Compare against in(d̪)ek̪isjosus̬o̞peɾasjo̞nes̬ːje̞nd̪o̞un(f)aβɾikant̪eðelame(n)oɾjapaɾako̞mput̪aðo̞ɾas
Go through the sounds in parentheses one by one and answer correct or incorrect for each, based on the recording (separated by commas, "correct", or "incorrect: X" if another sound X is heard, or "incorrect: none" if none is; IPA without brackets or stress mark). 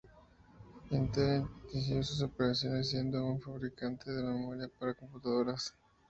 incorrect: t̪, correct, incorrect: m